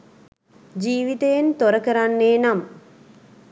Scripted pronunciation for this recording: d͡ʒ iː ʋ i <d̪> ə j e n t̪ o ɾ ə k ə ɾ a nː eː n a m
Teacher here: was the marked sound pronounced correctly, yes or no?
no